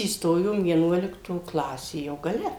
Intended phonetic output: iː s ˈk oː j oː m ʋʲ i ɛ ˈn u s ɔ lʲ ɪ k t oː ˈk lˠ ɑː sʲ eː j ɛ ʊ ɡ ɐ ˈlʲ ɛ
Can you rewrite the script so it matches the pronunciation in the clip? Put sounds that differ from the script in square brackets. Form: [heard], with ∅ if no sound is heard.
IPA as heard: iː s [ˈt] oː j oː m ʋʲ i ɛ ˈn u [∅] ɔ lʲ ɪ k t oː ˈk lˠ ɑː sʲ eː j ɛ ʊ ɡ ɐ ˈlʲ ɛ

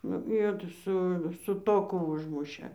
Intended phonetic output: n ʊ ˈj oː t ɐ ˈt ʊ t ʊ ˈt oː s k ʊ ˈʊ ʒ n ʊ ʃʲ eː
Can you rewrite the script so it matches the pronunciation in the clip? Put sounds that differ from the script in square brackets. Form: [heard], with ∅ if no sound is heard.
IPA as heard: n ʊ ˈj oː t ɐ [ˈs] ʊ [s] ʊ ˈt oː [∅] k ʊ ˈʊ ʒ [m] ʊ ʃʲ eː

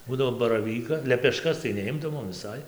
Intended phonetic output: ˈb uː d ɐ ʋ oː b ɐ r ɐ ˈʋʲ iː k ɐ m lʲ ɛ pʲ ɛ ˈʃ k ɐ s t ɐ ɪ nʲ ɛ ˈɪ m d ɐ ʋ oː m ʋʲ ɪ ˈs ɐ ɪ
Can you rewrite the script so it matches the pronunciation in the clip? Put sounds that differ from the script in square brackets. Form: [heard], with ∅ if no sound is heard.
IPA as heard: ˈb uː d ɐ ʋ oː b ɐ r ɐ ˈʋʲ iː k ɐ [∅] lʲ ɛ pʲ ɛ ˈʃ k ɐ s t ɐ ɪ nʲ ɛ ˈɪ m d ɐ ʋ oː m ʋʲ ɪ ˈs ɐ ɪ

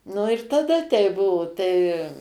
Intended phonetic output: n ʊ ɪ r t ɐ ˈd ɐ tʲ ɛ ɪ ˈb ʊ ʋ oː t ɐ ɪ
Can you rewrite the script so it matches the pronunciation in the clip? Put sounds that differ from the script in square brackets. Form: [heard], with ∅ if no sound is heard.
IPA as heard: n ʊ ɪ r t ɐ ˈd ɐ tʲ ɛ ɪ ˈb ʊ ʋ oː t ɐ ɪ

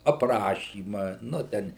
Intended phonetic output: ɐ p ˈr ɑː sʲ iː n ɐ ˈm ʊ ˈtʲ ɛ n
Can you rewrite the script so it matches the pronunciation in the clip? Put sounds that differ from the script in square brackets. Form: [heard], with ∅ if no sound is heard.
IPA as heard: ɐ p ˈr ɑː [ʃʲ] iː [m] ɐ [ˈn] ʊ ˈtʲ ɛ n

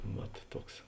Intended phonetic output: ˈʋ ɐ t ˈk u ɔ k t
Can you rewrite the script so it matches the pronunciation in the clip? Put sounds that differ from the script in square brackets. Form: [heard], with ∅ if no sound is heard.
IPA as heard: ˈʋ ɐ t [ˈt] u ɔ k [s]

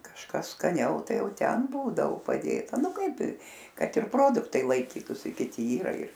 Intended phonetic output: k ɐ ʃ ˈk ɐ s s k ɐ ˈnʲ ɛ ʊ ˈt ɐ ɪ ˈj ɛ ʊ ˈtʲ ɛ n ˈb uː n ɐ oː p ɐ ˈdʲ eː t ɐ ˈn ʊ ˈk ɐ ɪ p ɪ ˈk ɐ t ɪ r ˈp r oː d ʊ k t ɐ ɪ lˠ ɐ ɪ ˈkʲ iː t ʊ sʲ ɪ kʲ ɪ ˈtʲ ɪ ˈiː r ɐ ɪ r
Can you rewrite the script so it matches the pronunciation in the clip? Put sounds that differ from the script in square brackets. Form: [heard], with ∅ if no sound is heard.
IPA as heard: k ɐ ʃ ˈk ɐ s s k ɐ ˈnʲ ɛ ʊ ˈt ɐ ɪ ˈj ɛ ʊ ˈtʲ ɛ n ˈb uː [d] ɐ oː p ɐ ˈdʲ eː t ɐ ˈn ʊ ˈk ɐ ɪ p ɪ ˈk ɐ t ɪ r ˈp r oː d ʊ k t ɐ ɪ lˠ ɐ ɪ ˈkʲ iː t ʊ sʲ ɪ kʲ ɪ ˈtʲ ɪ ˈiː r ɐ ɪ r

